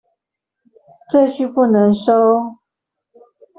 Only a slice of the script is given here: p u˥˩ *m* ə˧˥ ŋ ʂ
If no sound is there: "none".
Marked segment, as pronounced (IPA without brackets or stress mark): n